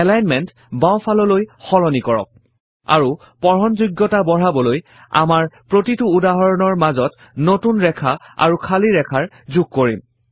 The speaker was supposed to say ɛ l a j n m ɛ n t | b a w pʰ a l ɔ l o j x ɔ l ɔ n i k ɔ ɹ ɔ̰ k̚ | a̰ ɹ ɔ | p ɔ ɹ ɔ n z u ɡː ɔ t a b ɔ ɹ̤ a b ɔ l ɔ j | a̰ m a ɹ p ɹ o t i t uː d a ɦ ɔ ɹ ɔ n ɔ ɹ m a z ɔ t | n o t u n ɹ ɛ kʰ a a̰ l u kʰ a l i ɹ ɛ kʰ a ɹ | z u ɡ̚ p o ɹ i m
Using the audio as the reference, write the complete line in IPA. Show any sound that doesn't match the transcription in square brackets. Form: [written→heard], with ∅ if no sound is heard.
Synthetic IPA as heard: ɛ l a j n m ɛ n t | b a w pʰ a l ɔ l o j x ɔ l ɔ n i k ɔ ɹ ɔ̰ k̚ | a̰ ɹ [ɔ→u] | p ɔ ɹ ɔ n z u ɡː ɔ t a b ɔ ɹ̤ a b ɔ l [ɔ→o] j | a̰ m a ɹ p ɹ o t i t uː d a ɦ ɔ ɹ ɔ n ɔ ɹ m a z ɔ t | n o t u n ɹ ɛ kʰ a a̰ [l→ɹ] u kʰ a l i ɹ ɛ kʰ a ɹ | z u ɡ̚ [p→k] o ɹ i m